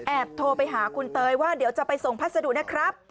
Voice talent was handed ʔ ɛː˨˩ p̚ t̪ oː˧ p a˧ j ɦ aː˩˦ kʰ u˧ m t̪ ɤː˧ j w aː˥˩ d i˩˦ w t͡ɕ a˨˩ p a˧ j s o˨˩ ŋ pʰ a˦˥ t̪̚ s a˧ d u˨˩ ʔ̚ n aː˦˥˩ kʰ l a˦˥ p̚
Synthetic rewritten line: ʔ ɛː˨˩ p̚ t̪ʰ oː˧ p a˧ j ɦ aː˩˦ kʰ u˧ n t̪ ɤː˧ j w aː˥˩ d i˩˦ w t͡ɕ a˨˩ p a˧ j s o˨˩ ŋ pʰ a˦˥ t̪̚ s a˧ d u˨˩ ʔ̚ n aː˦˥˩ kʰ ɾ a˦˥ p̚

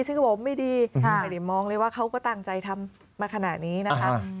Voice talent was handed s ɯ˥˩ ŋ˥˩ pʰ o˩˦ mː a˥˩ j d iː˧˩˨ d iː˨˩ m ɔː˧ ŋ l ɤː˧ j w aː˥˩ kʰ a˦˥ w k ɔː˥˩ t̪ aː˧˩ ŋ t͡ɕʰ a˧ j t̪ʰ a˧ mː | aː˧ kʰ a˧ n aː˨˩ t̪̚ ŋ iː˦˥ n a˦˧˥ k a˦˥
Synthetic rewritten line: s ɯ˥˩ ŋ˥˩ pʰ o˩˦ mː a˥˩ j d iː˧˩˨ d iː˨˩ m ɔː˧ ŋ l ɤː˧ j w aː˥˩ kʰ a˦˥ w k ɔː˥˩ t̪ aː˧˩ ŋ t͡ɕ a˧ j t̪ʰ a˧ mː | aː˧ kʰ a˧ n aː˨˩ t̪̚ n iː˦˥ n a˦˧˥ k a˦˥

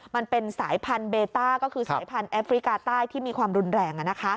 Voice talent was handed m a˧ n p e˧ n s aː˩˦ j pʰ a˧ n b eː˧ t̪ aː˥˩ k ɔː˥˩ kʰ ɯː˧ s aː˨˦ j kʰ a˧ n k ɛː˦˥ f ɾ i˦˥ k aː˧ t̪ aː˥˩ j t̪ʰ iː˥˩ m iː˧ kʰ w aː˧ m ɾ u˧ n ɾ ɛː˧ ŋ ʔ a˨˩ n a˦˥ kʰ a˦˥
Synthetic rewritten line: m a˧ n p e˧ n s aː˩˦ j pʰ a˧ n b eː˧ t̪ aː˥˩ k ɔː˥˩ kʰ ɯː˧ s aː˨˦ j pʰ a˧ n ʔ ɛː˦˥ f ɾ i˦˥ k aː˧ t̪ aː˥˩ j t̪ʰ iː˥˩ m iː˧ kʰ w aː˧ m ɾ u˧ n ɾ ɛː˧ ŋ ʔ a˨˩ n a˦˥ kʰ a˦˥

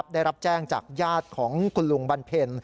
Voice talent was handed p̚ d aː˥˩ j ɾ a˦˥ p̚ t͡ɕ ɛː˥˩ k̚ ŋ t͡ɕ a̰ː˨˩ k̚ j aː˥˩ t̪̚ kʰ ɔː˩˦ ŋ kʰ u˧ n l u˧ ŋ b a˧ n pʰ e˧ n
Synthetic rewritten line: p̚ d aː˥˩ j ɾ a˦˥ p̚ t͡ɕ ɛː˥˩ ŋ t͡ɕ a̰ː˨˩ k̚ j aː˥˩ t̪̚ kʰ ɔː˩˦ ŋ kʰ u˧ n l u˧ ŋ b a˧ n pʰ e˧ n

